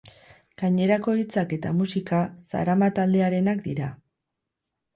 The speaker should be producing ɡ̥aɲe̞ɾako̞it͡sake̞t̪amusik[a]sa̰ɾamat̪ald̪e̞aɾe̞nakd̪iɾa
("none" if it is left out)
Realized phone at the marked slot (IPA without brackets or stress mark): a